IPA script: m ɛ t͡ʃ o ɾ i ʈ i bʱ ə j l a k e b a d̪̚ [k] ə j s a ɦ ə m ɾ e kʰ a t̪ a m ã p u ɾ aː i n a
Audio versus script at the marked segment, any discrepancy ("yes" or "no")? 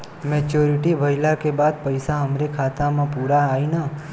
yes